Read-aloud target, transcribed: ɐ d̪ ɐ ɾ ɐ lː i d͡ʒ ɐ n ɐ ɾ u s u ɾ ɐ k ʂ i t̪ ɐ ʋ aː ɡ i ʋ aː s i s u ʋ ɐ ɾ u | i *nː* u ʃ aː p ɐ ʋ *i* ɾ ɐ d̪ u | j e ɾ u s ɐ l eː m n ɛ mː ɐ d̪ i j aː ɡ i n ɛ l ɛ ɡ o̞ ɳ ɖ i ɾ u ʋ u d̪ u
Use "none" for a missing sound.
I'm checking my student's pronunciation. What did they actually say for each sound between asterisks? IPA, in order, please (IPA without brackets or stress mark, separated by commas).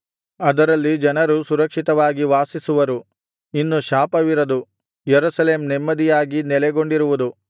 nː, i